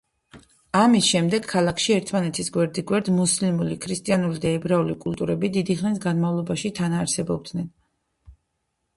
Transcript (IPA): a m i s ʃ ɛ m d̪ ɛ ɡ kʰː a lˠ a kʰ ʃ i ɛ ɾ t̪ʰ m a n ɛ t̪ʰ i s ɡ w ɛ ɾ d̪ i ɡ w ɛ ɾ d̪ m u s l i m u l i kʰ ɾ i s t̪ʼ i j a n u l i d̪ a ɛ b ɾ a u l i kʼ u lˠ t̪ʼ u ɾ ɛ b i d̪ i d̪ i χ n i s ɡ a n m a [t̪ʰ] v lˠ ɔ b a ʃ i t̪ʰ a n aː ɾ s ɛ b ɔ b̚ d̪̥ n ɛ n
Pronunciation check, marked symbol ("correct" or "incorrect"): incorrect